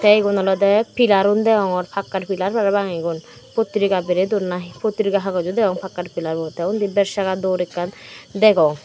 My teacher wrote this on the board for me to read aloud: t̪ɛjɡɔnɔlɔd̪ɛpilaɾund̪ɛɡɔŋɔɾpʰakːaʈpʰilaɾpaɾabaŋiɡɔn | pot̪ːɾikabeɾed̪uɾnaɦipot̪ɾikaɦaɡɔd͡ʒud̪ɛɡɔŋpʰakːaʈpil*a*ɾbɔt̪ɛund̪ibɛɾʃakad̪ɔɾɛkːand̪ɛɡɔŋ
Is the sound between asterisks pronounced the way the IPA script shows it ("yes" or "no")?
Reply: yes